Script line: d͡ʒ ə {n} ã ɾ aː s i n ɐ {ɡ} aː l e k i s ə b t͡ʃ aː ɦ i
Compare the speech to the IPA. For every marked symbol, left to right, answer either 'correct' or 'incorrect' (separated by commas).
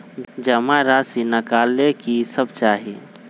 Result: incorrect, incorrect